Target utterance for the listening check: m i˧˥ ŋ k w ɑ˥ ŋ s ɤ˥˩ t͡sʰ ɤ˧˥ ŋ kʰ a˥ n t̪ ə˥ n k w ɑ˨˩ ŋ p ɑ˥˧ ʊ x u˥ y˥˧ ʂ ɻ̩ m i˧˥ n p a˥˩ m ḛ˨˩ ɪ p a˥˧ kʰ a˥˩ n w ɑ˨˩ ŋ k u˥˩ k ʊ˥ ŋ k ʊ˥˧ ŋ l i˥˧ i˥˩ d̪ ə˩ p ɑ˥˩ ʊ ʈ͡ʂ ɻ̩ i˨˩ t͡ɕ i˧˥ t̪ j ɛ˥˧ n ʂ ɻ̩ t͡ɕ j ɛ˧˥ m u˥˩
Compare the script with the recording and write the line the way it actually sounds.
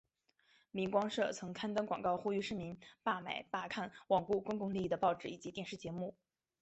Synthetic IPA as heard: m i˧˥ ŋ k w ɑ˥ ŋ ʂ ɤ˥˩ t͡sʰ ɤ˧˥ ŋ kʰ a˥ n t̪ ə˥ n k w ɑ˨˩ ŋ k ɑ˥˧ ʊ x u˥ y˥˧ ʂ ɻ̩ m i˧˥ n p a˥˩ m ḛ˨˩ ɪ p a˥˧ kʰ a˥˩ n w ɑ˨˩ ŋ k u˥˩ k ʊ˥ ŋ k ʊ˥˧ ŋ l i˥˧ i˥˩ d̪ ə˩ p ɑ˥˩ ʊ ʈ͡ʂ ɻ̩ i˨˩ t͡ɕ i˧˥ t̪ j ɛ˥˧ n ʂ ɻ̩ t͡ɕ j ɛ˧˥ m u˥˩